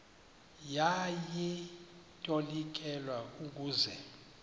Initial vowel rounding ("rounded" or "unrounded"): unrounded